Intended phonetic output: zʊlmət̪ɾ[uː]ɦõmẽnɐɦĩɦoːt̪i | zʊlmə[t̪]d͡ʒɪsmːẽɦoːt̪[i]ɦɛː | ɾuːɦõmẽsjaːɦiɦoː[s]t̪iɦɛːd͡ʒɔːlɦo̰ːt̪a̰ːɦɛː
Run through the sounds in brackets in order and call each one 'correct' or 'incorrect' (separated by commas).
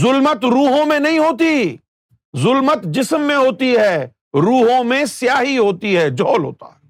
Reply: correct, correct, correct, incorrect